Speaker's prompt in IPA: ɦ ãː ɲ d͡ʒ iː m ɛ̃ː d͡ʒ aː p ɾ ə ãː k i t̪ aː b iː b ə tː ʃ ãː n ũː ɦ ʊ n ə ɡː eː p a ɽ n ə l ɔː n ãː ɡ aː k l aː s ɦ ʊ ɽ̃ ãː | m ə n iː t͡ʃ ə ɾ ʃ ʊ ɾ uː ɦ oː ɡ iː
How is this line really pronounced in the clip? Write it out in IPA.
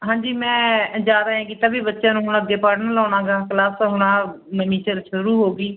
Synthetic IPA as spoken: ɦ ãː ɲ d͡ʒ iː m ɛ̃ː d͡ʒ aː ɾ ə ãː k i t̪ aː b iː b ə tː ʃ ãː n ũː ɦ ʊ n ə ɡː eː p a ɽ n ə l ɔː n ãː ɡ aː k l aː s ɦ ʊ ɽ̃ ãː | m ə n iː t͡ʃ ə ɾ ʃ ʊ ɾ uː ɦ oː ɡ iː